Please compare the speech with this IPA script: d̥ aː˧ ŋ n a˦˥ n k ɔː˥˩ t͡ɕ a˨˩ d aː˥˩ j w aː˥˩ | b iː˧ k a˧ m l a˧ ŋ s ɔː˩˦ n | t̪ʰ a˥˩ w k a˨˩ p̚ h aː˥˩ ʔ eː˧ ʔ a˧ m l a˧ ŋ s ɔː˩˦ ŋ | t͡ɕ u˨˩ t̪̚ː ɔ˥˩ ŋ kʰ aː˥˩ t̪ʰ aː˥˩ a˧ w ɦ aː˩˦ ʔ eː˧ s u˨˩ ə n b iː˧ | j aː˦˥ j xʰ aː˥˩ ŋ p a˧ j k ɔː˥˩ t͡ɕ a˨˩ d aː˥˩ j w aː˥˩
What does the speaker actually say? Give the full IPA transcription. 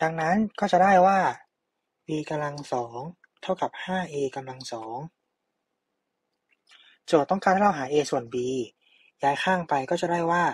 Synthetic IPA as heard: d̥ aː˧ ŋ n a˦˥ n k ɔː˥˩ t͡ɕ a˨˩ d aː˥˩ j w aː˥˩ | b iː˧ k a˧ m l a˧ ŋ s ɔː˩˦ ŋ | t̪ʰ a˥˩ w k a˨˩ p̚ h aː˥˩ ʔ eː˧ k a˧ m l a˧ ŋ s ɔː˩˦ ŋ | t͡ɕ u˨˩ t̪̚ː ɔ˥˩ ŋ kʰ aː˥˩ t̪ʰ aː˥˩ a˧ w ɦ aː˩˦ ʔ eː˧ s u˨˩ ə n b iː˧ | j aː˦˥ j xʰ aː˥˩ ŋ p a˧ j k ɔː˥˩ t͡ɕ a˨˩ d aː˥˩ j w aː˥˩

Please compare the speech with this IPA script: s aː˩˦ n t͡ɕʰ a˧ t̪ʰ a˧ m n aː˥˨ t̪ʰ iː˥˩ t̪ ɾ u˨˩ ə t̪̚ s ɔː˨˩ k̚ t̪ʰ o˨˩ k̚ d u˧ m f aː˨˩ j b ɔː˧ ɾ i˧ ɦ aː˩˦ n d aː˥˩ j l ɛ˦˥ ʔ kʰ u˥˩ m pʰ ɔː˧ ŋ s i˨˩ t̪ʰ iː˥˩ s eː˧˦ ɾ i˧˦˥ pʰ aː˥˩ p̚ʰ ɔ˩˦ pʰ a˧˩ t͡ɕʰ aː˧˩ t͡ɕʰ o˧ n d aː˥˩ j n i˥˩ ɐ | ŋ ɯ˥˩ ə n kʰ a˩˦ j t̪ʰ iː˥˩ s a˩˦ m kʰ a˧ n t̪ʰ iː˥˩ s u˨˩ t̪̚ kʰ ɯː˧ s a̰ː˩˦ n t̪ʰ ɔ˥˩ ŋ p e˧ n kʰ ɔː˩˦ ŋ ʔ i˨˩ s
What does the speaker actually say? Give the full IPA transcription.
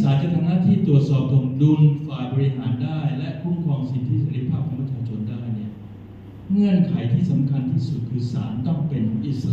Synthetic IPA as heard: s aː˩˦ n t͡ɕ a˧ t̪ʰ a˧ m n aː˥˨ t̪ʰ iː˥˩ t̪ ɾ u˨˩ ə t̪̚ s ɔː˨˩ p̚ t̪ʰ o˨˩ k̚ d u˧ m f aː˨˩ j b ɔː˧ ɾ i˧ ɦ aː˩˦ n d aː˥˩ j l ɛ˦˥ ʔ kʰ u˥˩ m kʰ ɔː˧ ŋ s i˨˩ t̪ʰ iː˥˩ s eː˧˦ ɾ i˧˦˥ pʰ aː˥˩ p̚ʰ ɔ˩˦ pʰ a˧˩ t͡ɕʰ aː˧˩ t͡ɕʰ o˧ n d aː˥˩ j n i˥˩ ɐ | ŋ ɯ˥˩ ə n kʰ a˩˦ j t̪ʰ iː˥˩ s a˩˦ m kʰ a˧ n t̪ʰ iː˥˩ s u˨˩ t̪̚ kʰ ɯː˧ s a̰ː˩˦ n t̪ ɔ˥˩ ŋ p e˧ n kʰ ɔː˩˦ ŋ ʔ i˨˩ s

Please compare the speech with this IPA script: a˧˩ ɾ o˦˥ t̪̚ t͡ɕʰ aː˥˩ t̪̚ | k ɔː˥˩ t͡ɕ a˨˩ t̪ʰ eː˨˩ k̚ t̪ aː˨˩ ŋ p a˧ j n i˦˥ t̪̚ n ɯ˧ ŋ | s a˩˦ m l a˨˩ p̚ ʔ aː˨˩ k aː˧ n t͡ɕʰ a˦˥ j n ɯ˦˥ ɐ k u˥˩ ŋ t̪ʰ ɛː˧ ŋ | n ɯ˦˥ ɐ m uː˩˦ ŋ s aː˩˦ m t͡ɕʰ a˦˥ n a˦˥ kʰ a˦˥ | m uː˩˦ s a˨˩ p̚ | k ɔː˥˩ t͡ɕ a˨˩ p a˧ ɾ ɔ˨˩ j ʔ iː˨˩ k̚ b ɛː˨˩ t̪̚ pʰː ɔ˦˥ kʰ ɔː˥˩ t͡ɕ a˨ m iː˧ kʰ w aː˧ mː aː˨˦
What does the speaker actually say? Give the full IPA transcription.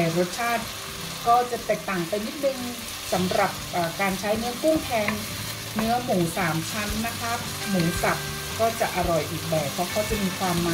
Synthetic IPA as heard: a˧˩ ɾ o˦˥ t̪̚ t͡ɕʰ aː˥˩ t̪̚ | k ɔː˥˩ t͡ɕ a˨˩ t̪ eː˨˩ k̚ t̪ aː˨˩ ŋ p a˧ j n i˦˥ t̪̚ n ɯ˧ ŋ | s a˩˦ m ɾ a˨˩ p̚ ʔ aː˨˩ k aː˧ n t͡ɕʰ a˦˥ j n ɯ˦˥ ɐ k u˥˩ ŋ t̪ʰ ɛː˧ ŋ | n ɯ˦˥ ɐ m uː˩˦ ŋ s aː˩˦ m t͡ɕʰ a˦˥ nː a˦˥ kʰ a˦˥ | m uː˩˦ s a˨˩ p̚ | k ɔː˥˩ t͡ɕ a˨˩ ʔ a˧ ɾ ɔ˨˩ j ʔ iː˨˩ k̚ b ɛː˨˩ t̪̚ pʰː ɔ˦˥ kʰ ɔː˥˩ t͡ɕ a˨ m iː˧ kʰ w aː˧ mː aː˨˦

